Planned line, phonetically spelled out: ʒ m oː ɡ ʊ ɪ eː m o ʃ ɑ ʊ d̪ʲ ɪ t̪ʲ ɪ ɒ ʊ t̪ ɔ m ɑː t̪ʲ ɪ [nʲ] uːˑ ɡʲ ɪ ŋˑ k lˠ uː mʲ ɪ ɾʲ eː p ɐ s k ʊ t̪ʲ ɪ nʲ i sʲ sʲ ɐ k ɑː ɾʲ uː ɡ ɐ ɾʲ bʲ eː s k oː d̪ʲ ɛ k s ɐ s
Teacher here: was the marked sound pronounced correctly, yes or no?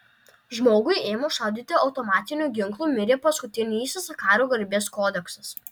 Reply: yes